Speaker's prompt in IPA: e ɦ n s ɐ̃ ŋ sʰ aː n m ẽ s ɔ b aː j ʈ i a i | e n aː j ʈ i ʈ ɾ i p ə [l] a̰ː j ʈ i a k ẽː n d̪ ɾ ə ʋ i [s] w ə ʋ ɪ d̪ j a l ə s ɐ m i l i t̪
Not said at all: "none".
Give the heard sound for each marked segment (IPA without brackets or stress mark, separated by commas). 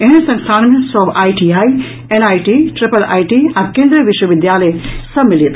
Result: l, ʃ